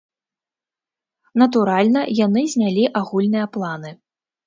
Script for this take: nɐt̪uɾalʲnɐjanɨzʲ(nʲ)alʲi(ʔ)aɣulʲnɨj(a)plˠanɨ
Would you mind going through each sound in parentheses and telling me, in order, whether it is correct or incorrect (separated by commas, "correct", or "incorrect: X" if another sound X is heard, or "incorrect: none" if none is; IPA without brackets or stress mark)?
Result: correct, correct, incorrect: ɐ